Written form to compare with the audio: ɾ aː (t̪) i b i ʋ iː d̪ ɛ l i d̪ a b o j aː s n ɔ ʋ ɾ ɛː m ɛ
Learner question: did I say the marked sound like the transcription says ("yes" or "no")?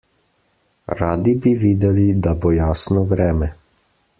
no